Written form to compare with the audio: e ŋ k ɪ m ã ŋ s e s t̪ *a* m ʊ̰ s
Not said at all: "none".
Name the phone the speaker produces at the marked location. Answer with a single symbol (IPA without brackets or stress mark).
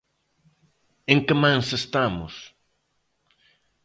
a